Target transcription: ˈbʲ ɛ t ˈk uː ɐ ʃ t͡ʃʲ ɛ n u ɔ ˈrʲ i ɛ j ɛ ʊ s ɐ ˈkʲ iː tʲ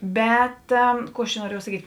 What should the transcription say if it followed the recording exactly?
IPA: ˈbʲ ɛ t ˈk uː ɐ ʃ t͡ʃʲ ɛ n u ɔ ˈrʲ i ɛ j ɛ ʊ s ɐ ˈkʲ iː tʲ